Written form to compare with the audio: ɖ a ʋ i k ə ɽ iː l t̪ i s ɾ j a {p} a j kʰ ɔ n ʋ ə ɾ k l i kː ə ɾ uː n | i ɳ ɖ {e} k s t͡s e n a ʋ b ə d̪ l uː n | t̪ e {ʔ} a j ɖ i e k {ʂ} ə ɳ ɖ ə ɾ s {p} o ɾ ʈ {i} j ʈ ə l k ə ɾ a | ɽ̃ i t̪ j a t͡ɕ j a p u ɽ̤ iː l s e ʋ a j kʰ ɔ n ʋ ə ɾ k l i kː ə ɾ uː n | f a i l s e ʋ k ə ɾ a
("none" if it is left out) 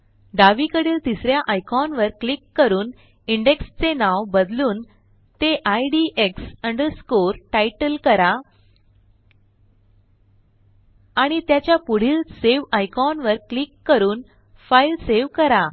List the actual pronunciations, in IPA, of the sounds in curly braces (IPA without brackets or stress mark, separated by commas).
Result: ʔ, e, ʔ, s, k, a